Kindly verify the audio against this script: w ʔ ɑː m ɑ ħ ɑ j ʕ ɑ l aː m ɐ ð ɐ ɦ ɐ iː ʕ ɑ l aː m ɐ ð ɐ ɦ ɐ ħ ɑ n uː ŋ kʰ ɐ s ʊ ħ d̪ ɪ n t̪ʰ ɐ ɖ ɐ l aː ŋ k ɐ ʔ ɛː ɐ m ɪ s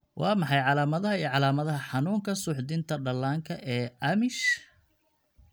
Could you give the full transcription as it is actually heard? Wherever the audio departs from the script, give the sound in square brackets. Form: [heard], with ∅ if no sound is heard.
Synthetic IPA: w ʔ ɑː m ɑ ħ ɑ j ʕ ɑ l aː m ɐ ð ɐ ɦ ɐ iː ʕ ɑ l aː m ɐ ð ɐ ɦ ɐ ħ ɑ n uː ŋ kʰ ɐ s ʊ ħ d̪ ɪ n t̪ʰ ɐ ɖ ɐ l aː ŋ [kʰ] ɐ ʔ ɛː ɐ m ɪ [ʃ]